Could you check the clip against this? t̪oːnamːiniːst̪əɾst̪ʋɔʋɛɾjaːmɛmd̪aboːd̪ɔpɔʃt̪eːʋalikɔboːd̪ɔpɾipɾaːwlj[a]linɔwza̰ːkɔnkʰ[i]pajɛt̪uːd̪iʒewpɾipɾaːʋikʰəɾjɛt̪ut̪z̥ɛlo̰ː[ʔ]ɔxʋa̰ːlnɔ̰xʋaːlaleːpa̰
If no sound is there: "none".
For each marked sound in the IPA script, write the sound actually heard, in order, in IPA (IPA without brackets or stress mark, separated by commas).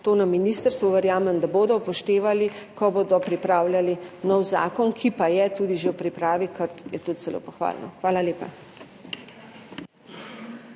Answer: a, i, p